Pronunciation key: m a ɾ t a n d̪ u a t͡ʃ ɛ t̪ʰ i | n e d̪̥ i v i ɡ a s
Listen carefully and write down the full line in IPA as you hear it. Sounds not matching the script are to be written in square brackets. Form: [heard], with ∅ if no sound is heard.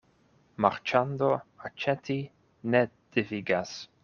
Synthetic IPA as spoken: m a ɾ [t͡ʃ] a n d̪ [o] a t͡ʃ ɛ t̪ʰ i | n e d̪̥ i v i ɡ a s